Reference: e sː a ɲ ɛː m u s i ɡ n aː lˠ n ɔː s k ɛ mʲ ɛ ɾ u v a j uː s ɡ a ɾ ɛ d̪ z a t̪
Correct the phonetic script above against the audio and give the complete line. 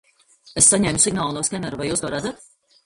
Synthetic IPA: e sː a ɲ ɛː m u s i ɡ n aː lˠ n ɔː s k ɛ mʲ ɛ ɾ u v a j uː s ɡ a ɾ a d̪ z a t̪